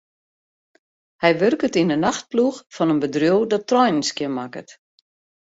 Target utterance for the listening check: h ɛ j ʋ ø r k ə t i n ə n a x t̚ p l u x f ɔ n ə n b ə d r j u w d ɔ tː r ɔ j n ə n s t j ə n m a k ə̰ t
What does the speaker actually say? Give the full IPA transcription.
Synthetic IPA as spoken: h ɛ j ʋ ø r k ə t i n ə n a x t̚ p l u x f ɔ n ə n b ə d r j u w d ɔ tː r ɔ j n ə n s k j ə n m a k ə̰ t